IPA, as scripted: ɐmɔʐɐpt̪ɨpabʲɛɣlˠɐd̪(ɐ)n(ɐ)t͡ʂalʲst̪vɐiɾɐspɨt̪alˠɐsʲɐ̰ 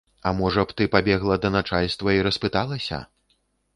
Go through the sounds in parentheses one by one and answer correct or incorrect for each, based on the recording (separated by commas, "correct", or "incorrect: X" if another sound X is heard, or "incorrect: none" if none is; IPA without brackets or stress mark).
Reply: correct, incorrect: a